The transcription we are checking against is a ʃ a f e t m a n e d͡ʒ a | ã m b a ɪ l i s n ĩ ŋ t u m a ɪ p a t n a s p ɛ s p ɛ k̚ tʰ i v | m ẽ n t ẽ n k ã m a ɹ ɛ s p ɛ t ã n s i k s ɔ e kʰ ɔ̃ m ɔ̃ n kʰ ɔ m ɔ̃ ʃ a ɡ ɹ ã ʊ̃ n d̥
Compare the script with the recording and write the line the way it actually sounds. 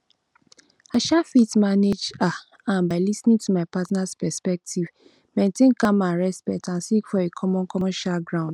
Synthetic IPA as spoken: a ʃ a f i t m a n e d͡ʒ a | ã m b a ɪ l i s n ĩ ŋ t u m a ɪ p a t n a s p ɛ s p ɛ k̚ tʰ i v | m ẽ n t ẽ n k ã m a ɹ ɛ s p ɛ t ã n s i k f ɔ e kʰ ɔ m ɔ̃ n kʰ ɔ m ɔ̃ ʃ a ɡ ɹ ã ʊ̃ n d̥